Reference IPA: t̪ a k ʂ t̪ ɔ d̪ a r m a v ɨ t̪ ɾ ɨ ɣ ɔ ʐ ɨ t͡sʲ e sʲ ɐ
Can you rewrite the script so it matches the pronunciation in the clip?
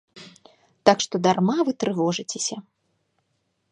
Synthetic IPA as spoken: t̪ a k ʂ t̪ ɔ d̪ a r m a v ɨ t̪ ɾ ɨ v ɔ ʐ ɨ t͡sʲ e sʲ ɐ